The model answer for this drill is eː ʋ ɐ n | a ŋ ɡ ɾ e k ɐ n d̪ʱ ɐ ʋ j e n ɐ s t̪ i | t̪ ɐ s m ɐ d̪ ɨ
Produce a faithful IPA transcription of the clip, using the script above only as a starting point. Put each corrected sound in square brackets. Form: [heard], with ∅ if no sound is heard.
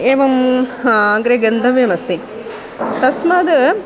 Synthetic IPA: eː ʋ ɐ [m] | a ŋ ɡ ɾ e [ɡ] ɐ n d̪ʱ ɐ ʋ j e [m] ɐ s t̪ i | t̪ ɐ s m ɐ d̪ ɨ